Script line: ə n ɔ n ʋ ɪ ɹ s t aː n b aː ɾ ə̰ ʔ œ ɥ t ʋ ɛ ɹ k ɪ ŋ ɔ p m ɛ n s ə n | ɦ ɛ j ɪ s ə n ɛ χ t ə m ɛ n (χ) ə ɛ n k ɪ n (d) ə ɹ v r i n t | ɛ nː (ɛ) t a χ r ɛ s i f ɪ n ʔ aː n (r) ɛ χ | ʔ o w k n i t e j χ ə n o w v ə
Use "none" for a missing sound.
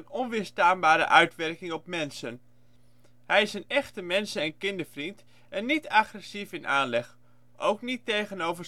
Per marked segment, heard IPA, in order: s, d, i, l

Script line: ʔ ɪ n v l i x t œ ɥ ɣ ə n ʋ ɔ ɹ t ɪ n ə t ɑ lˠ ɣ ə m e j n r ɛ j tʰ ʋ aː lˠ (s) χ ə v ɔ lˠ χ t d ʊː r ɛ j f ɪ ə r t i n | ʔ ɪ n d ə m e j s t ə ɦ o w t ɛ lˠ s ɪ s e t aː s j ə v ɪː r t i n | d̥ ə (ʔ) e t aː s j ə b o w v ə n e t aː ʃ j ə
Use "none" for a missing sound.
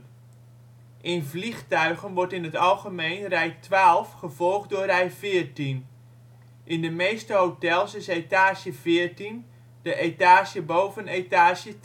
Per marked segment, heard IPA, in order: f, ʔ

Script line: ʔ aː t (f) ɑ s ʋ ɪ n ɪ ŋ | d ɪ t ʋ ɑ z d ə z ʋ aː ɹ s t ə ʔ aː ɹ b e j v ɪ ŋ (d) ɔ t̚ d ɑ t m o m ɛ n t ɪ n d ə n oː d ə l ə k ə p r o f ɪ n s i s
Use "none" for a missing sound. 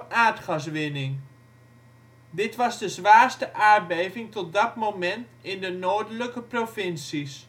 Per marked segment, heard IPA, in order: χ, t

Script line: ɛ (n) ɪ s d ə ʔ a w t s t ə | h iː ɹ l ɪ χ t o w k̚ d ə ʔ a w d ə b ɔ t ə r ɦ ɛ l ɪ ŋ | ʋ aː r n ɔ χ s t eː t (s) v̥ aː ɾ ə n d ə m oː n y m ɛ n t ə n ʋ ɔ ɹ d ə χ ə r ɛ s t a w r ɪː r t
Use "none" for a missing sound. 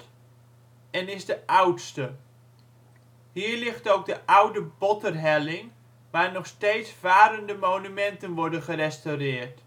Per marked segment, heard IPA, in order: n, s

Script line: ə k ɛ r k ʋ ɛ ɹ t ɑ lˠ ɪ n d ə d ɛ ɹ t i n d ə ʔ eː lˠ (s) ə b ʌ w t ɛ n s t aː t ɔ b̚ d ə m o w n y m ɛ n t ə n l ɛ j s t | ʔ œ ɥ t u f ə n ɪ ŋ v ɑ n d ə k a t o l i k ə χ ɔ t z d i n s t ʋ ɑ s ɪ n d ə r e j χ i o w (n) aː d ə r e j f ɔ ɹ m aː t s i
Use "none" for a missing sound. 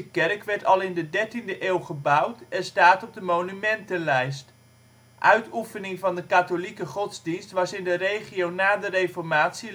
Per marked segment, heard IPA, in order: χ, n

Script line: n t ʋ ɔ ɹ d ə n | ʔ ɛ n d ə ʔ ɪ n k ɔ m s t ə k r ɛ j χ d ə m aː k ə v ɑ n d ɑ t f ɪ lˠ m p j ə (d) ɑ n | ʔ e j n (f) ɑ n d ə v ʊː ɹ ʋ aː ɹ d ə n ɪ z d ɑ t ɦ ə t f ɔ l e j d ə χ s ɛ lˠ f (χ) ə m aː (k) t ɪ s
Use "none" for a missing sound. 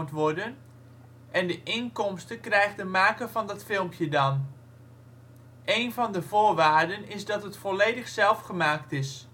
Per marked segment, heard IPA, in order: d, v, χ, k

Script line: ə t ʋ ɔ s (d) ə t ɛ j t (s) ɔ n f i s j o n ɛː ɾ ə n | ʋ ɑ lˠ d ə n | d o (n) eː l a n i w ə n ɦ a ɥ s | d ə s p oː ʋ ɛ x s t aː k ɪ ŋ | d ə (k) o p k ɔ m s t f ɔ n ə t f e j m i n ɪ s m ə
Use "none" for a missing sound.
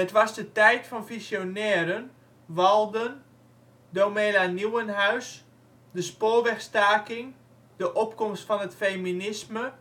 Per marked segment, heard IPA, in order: d, f, m, ʔ

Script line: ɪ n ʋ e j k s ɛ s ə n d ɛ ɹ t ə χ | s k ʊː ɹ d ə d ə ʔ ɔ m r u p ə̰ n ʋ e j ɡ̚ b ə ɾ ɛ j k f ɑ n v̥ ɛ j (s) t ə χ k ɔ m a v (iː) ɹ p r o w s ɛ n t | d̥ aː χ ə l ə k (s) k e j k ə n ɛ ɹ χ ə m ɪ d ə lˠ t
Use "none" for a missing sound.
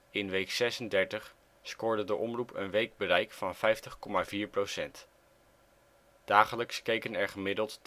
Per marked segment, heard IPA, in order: f, iː, s

